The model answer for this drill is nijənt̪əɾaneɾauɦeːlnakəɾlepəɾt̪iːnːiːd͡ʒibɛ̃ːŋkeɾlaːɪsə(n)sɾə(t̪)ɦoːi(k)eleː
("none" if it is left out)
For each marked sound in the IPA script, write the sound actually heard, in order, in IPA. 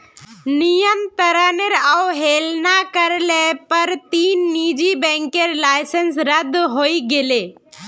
n, d̪, ɡ

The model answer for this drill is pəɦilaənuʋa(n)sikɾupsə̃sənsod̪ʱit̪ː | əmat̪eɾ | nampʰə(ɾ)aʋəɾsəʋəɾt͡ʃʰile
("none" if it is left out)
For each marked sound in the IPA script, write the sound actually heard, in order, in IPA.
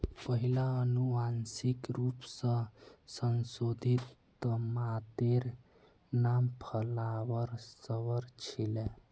n, l

